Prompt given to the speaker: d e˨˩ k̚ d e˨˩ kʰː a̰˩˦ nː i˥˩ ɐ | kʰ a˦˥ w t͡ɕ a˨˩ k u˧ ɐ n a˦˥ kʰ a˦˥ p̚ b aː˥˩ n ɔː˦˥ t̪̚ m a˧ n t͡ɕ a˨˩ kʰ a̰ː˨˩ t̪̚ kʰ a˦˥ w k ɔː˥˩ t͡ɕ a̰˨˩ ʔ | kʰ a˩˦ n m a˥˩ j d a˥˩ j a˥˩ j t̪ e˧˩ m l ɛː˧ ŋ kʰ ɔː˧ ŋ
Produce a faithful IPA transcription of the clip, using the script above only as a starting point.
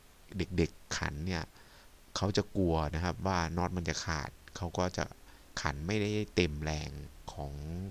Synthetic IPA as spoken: d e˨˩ k̚ d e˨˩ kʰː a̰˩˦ nː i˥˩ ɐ | kʰ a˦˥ w t͡ɕ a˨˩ k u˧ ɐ n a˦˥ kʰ a˦˥ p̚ w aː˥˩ n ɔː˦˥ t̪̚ m a˧ n t͡ɕ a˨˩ kʰ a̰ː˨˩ t̪̚ kʰ a˦˥ w k ɔː˥˩ t͡ɕ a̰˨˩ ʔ | kʰ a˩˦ n m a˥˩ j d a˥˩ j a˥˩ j t̪ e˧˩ m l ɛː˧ ŋ kʰ ɔː˩˦ ŋ